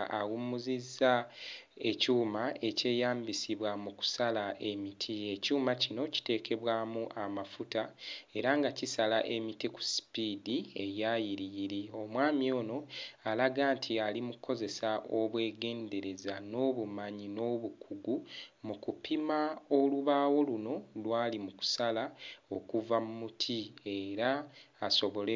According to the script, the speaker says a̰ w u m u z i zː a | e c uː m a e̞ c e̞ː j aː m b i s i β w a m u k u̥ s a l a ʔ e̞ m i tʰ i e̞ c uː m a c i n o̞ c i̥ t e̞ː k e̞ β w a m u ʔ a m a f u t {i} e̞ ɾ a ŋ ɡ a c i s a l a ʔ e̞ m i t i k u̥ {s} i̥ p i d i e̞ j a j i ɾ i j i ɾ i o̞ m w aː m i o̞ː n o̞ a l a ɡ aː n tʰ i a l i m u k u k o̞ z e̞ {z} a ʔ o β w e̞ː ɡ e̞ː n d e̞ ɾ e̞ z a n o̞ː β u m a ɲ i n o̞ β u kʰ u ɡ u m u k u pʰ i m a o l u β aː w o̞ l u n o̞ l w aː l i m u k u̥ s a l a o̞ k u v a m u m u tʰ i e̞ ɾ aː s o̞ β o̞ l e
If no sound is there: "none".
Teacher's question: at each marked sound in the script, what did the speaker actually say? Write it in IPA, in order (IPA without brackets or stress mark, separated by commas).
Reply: a, s, s